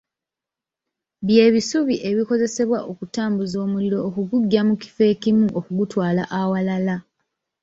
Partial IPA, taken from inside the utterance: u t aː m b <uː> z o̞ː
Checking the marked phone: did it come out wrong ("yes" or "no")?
yes